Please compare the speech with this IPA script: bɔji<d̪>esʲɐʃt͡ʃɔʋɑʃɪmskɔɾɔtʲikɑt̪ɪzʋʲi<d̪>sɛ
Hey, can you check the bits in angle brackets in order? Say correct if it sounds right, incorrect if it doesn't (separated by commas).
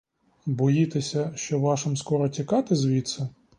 incorrect, incorrect